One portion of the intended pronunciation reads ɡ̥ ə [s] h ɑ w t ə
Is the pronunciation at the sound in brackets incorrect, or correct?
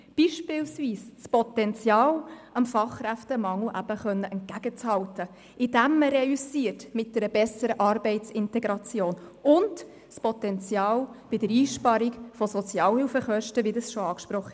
incorrect